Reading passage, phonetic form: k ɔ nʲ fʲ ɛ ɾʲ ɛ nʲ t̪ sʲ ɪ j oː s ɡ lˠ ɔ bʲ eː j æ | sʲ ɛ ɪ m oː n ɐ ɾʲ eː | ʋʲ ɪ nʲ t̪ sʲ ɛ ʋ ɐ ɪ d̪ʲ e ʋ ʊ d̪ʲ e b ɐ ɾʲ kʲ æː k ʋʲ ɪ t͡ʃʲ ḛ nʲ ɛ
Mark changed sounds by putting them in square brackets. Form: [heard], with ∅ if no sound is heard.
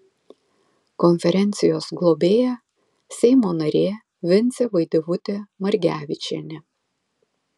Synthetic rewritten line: k ɔ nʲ fʲ ɛ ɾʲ ɛ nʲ t̪ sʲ ɪ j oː s ɡ lˠ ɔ bʲ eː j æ | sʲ ɛ ɪ m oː n ɐ ɾʲ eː | ʋʲ ɪ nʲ t̪ sʲ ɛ ʋ ɐ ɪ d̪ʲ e ʋ ʊ [t̪ʲ] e [m] ɐ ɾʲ [ɡʲ] æː [∅] ʋʲ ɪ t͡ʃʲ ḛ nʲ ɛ